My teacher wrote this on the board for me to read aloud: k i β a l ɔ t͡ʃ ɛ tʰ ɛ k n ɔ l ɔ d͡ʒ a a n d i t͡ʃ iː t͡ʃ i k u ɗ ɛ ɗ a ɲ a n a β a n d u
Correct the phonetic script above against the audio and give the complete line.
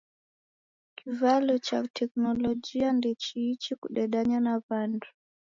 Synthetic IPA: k i v a l ɔ t͡ʃ a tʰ ɛ k n ɔ l ɔ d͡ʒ i a n d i t͡ʃ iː t͡ʃ i k u ɗ ɛ ɗ a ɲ a n a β a n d u